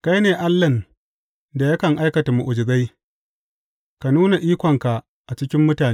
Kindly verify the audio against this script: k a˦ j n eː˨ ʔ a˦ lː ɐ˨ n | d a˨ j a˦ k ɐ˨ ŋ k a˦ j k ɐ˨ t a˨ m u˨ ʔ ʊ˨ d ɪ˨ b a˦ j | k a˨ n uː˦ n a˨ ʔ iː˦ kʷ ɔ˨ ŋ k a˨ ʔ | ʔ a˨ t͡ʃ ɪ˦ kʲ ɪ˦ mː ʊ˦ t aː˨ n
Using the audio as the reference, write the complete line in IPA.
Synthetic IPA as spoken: k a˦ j n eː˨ ʔ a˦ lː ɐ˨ n | d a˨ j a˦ k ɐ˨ ŋ ʔ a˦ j k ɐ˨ t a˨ m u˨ ʔ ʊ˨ d͡ʒ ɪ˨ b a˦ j | k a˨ n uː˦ n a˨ ʔ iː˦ kʷ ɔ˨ ŋ k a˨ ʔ | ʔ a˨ t͡ʃ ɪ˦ kʲ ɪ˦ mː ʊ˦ t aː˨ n